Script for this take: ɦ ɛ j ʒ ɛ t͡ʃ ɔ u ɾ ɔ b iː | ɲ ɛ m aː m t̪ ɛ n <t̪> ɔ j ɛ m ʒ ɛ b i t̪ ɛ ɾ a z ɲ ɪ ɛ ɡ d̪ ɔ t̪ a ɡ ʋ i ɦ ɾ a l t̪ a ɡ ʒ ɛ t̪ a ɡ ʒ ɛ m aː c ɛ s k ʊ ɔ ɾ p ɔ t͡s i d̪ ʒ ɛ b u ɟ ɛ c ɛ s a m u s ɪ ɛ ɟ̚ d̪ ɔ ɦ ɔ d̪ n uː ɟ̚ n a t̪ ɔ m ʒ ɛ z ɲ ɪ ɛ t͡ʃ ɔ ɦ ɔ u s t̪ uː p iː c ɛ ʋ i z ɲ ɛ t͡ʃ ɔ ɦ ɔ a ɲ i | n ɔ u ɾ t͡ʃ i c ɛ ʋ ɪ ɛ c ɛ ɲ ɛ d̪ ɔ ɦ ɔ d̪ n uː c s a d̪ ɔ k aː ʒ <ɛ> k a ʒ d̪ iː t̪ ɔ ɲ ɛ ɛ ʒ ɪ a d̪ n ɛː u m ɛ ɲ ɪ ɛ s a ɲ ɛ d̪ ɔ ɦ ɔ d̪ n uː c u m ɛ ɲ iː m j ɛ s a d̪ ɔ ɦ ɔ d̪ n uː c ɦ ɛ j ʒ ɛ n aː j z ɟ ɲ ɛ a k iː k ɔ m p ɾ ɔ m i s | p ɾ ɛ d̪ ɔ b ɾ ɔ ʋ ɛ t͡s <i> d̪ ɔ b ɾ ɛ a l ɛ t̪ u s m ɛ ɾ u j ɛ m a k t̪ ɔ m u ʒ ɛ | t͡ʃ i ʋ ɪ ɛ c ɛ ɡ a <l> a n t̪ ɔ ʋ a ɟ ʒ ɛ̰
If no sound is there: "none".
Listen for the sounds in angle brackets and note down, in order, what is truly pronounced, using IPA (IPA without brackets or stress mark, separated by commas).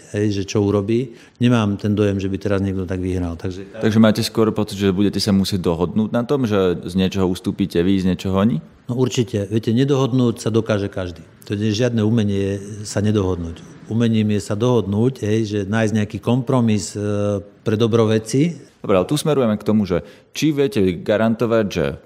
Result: d̪, ɛ, i, ɾ